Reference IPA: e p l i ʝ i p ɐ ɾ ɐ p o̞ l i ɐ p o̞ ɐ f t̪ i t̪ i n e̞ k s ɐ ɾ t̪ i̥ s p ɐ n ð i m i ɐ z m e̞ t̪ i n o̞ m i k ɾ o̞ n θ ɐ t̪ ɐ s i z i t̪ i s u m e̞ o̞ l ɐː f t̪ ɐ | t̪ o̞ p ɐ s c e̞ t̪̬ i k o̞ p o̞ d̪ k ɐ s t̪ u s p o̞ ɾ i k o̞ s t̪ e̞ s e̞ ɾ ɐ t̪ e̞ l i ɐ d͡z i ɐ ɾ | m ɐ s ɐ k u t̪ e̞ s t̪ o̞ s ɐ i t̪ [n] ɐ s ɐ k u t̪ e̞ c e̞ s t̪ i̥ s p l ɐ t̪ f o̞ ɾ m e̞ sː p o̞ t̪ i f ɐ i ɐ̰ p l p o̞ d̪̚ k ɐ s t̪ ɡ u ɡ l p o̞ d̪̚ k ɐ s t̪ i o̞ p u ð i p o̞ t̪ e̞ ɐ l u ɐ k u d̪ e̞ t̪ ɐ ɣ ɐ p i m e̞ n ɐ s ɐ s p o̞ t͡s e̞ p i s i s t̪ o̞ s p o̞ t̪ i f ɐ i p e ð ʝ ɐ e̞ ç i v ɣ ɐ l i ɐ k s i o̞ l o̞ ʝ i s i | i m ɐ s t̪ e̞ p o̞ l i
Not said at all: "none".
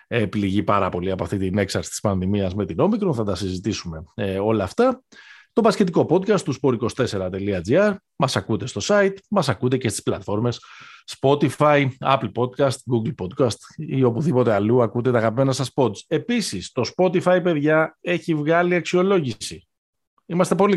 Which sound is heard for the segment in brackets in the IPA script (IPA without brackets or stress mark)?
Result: m